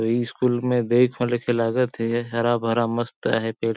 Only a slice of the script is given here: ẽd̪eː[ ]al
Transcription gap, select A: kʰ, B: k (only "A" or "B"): A